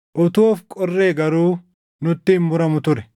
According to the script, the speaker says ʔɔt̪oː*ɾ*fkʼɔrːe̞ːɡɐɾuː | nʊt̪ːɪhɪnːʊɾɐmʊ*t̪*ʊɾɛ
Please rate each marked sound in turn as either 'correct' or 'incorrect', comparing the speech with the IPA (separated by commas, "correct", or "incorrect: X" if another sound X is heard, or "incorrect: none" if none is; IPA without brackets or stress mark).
incorrect: none, correct